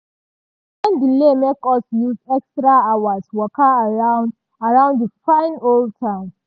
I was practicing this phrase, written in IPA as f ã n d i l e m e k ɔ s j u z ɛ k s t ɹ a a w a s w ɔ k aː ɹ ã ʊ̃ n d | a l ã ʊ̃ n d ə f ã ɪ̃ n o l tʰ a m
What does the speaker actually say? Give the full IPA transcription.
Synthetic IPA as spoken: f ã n d i l e m e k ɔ s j u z ɛ k s t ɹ a a w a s w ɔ k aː ɹ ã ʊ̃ n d | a ɹ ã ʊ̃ n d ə f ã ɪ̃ n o l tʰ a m